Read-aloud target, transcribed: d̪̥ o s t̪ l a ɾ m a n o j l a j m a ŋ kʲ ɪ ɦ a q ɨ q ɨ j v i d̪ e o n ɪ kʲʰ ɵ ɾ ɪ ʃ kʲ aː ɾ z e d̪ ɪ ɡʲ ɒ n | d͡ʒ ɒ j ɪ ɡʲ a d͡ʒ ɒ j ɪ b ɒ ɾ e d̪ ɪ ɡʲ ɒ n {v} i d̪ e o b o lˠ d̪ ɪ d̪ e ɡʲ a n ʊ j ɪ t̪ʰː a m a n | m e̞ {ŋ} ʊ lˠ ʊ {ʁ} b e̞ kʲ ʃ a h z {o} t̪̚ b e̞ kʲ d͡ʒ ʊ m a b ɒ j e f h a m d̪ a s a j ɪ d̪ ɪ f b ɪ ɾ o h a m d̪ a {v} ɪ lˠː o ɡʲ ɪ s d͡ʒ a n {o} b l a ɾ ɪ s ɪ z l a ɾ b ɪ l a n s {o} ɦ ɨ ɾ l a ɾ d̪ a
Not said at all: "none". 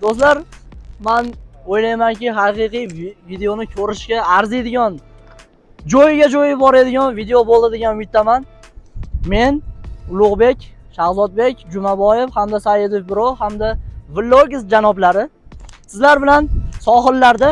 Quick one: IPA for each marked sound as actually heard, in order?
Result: v, n, ʁ, ɒ, v, ɒ, ɒ

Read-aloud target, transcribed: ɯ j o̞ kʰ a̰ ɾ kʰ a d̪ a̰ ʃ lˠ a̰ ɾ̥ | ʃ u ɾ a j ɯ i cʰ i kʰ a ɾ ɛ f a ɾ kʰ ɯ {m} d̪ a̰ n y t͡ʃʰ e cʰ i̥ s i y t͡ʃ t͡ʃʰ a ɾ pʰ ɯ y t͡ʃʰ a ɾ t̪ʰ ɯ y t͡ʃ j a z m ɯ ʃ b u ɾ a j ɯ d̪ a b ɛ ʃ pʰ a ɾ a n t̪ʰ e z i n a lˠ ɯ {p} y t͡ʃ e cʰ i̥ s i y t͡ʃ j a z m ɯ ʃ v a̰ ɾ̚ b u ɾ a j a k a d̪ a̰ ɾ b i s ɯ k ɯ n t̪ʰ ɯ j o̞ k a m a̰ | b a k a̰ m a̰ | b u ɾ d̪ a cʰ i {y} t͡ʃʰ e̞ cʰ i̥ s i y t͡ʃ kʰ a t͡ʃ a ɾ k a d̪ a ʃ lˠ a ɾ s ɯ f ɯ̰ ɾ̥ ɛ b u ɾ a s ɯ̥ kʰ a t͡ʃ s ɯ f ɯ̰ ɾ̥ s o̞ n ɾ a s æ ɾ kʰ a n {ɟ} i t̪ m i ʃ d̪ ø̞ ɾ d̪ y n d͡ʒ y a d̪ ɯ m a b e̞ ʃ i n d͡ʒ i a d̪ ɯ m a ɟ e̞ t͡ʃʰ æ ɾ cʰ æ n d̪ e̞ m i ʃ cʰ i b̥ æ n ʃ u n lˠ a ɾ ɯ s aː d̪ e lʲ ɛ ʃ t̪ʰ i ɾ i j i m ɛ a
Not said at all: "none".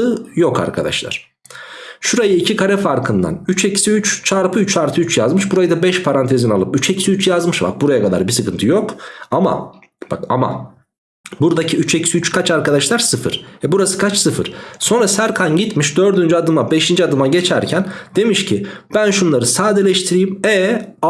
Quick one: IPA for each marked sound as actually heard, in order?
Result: n, p, y, ɟ

